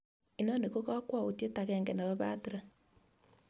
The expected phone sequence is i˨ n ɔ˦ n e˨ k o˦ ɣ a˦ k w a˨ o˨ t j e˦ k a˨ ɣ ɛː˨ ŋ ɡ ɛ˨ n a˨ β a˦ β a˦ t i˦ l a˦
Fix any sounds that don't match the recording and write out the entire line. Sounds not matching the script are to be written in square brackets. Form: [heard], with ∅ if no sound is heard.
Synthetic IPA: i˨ n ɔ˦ n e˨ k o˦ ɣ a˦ k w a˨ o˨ t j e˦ [t] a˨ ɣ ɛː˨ ŋ ɡ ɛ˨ n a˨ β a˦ β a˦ t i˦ [ɾ] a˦